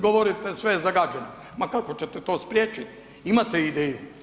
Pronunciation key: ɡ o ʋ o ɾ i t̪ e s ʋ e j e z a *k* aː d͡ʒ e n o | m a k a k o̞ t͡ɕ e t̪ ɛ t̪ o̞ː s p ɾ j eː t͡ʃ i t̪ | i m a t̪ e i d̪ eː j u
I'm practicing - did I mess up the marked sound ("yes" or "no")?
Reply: yes